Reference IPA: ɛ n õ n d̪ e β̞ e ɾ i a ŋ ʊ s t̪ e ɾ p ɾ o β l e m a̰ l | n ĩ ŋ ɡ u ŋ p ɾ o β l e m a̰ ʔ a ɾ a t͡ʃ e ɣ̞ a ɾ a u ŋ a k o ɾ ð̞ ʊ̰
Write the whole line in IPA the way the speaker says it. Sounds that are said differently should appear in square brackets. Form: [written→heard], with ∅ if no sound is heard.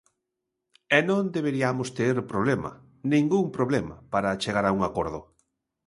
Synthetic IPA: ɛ n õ n d̪ e β̞ e ɾ i a [ŋ→m] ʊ s t̪ e ɾ p ɾ o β l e m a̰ [l→∅] | n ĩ ŋ ɡ u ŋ p ɾ o β l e m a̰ [ʔ→p] a ɾ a t͡ʃ e ɣ̞ a ɾ a u ŋ a k o ɾ ð̞ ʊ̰

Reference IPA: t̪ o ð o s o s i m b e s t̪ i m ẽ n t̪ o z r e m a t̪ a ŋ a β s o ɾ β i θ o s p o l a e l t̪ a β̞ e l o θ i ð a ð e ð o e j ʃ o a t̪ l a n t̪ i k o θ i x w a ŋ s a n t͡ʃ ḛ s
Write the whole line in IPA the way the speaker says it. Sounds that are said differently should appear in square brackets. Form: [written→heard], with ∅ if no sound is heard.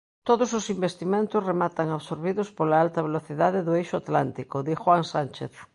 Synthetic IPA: t̪ o ð o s o s i m b e s t̪ i m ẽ n t̪ o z r e m a t̪ a ŋ a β s o ɾ β i [θ→ð] o s p o l a [e→a] l t̪ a β̞ e l o θ i ð a ð e ð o e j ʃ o a t̪ l a n t̪ i k o [θ→ð] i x w a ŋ s a n t͡ʃ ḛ [s→θ]

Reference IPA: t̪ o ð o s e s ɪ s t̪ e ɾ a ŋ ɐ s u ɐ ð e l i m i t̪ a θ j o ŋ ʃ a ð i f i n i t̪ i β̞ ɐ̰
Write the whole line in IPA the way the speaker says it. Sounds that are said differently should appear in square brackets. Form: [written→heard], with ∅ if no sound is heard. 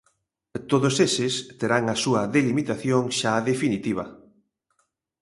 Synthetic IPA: t̪ o ð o s e s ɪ s t̪ e ɾ a ŋ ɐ s u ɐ ð e l i m i t̪ a θ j o ŋ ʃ a ð [i→e] f i n i t̪ i β̞ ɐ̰

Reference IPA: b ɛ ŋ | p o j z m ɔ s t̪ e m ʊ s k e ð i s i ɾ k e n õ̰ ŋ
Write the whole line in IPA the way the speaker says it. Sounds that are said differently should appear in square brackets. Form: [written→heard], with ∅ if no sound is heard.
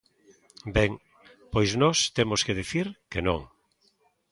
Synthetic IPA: b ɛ ŋ | p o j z [m→n] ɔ s t̪ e m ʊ s k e ð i [s→θ] i ɾ k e n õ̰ ŋ

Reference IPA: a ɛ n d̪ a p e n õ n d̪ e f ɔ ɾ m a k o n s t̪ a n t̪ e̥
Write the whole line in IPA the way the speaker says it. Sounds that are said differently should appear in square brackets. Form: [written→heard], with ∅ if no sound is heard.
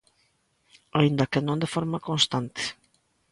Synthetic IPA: a [ɛ→i] n d̪ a [p→k] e n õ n d̪ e f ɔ ɾ m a k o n s t̪ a n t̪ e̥

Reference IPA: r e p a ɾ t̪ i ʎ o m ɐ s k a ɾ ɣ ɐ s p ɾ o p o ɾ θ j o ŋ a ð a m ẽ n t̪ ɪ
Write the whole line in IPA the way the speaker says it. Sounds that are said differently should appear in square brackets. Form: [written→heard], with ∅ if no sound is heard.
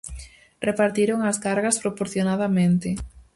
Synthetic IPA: r e p a ɾ t̪ i [ʎ→ɾ] o [m→ŋ] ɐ s k a ɾ ɣ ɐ s p ɾ o p o ɾ θ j o [ŋ→n] a ð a m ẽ n t̪ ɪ

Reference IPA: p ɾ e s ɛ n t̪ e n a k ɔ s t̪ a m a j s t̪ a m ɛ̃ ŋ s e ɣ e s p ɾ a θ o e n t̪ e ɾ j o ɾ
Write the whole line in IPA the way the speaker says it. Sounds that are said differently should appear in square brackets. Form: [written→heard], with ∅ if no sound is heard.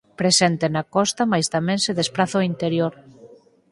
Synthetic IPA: p ɾ e s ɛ n t̪ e n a k ɔ s t̪ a m a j s t̪ a m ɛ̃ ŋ s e [ɣ→ð] e s p ɾ a θ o [e→i] n t̪ e ɾ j o ɾ

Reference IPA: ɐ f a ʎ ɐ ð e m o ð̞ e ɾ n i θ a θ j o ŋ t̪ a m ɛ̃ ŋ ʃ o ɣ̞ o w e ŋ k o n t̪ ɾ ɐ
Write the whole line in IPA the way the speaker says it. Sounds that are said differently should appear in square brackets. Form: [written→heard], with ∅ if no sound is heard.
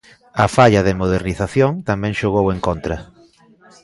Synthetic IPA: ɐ f a ʎ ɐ ð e m o ð̞ e ɾ n i θ a θ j o ŋ t̪ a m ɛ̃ ŋ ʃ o ɣ̞ o w e ŋ k o n t̪ ɾ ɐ

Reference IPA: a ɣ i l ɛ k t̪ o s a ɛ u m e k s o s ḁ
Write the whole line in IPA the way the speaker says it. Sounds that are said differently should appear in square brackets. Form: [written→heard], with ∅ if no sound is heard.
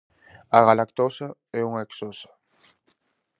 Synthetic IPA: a ɣ [i→a] l [ɛ→a] k t̪ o s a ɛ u [m→ŋ] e k s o s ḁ

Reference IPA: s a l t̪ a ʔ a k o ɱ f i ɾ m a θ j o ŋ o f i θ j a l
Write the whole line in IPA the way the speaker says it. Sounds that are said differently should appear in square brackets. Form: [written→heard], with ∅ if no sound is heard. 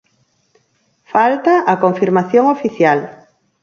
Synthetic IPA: [s→f] a l t̪ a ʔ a k o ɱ f i ɾ m a θ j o ŋ o f i θ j a l

